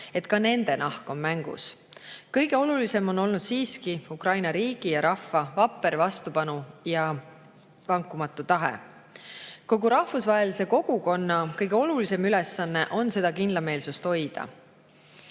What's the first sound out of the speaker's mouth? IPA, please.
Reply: e̞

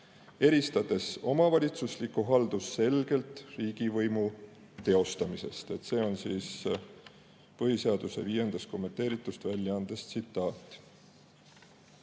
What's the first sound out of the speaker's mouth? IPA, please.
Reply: e̞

